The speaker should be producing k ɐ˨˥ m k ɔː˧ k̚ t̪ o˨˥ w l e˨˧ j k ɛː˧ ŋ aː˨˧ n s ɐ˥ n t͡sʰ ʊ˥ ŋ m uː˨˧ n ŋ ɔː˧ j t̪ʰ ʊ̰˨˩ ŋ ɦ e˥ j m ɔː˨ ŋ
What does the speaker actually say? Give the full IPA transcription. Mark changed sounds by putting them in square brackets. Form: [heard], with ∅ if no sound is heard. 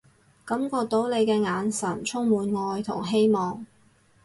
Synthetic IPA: k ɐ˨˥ m k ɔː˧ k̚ t̪ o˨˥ w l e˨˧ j k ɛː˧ ŋ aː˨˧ n s [ɐ˨˩] n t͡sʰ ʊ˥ ŋ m uː˨˧ n ŋ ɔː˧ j t̪ʰ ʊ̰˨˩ ŋ ɦ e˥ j m ɔː˨ ŋ